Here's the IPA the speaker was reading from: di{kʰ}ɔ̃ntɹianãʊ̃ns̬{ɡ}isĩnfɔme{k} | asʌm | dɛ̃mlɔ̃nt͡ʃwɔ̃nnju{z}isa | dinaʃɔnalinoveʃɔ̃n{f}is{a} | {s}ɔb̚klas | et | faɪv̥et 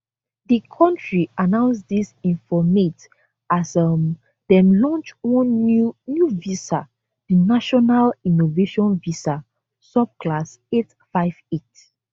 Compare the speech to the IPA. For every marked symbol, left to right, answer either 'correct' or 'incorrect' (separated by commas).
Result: correct, incorrect, incorrect, incorrect, incorrect, correct, correct